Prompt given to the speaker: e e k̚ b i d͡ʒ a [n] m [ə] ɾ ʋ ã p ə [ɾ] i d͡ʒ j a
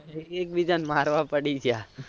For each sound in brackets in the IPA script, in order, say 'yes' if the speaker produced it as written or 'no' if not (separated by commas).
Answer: yes, no, no